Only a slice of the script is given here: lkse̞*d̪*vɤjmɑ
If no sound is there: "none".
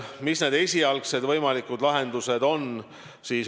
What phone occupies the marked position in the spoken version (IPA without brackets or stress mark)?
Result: d̪